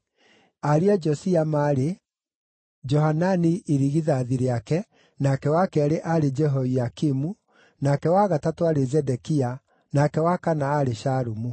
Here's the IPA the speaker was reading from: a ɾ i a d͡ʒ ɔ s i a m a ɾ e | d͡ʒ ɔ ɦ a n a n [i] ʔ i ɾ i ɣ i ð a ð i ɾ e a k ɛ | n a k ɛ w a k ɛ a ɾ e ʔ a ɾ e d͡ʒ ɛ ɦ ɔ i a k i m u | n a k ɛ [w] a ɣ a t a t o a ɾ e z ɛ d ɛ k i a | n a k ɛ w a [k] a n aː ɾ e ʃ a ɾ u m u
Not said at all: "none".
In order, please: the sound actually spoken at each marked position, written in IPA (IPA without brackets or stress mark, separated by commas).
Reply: i, w, k